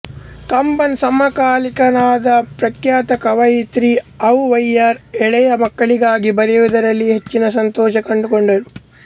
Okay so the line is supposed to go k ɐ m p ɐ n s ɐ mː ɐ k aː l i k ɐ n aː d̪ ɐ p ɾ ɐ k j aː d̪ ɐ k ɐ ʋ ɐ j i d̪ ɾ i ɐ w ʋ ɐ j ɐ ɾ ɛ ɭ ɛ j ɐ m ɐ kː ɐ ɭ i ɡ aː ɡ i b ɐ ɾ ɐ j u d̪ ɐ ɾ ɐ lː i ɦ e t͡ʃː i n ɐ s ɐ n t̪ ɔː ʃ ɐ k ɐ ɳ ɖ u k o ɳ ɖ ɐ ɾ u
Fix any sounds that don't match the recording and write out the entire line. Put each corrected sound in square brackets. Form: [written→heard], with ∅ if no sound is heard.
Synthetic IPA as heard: k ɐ m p ɐ n s ɐ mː ɐ k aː l i k ɐ n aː d̪ ɐ p ɾ ɐ k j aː [d̪→t̪] ɐ k ɐ ʋ ɐ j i [d̪→t̪] ɾ i ɐ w ʋ ɐ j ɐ ɾ ɛ ɭ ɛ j ɐ m ɐ kː ɐ ɭ i ɡ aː ɡ i b ɐ ɾ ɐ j u d̪ ɐ ɾ ɐ lː i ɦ e t͡ʃː i n ɐ s ɐ n t̪ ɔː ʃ ɐ k ɐ ɳ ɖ u k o ɳ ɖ ɐ ɾ u